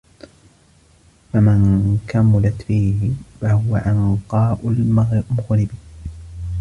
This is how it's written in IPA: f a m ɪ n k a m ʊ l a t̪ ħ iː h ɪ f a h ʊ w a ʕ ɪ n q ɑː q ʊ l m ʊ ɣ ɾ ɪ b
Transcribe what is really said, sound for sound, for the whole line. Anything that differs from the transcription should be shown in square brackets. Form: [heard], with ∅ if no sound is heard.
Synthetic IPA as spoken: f a m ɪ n k a m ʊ l a t̪ [f] iː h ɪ f a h ʊ w a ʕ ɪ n q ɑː [ʔ] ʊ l m ʊ ɣ ɾ ɪ b